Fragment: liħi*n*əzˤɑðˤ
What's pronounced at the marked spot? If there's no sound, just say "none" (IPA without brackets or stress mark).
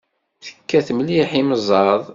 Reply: m